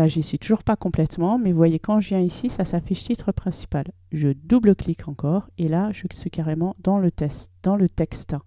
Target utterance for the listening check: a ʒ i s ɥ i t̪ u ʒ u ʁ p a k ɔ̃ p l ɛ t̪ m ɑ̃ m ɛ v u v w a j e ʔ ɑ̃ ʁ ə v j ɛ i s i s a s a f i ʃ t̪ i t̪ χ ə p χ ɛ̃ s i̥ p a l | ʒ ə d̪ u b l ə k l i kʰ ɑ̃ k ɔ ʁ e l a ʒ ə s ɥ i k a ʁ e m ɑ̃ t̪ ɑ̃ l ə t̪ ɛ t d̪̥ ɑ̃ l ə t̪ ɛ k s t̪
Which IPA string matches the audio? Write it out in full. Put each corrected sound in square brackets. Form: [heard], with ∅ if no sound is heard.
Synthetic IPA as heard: a ʒ i s ɥ i t̪ u ʒ u ʁ p a k ɔ̃ p l ɛ t̪ m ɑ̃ m ɛ v u v w a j e [k] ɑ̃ [ʒ] ə v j [ɛ̃] i s i s a s a f i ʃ t̪ i t̪ χ ə p χ ɛ̃ s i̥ p a l | ʒ ə d̪ u b l ə k l i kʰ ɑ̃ k ɔ ʁ e l a ʒ ə s ɥ i k a ʁ e m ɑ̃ [d̪] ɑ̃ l ə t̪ ɛ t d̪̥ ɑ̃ l ə t̪ ɛ k s t̪